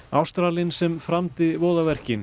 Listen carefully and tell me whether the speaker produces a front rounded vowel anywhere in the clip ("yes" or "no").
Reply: no